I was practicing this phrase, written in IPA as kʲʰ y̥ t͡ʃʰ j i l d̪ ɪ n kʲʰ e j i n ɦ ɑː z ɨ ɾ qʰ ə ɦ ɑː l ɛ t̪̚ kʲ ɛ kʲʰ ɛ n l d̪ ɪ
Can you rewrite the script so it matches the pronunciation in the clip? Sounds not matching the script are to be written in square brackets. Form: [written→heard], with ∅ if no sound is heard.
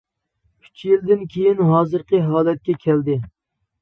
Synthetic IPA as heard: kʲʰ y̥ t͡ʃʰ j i l d̪ ɪ n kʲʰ e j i n ɦ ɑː z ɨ ɾ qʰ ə ɦ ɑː l ɛ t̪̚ kʲ ɛ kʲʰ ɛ [n→∅] l d̪ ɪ

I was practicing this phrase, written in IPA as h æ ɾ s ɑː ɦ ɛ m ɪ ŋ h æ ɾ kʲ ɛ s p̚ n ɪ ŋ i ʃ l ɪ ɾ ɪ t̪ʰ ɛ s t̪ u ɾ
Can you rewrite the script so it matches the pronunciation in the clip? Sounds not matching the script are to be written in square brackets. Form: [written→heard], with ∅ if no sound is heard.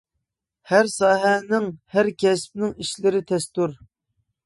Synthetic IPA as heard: h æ ɾ s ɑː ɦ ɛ [m→n] ɪ ŋ h æ ɾ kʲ ɛ s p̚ n ɪ ŋ i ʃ l ɪ ɾ ɪ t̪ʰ ɛ s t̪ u ɾ

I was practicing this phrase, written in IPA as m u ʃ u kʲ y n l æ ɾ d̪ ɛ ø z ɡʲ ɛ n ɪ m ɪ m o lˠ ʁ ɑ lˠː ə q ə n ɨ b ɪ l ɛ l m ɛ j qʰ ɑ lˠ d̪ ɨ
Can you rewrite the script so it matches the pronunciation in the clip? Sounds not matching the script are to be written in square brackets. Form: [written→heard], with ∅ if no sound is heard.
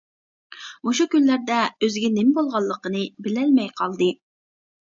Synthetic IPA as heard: m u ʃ u kʲ y n l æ ɾ d̪ ɛ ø z ɡʲ ɛ n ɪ m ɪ [m→b] o lˠ ʁ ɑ lˠː ə q ə n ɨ b ɪ l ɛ l m ɛ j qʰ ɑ lˠ d̪ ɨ

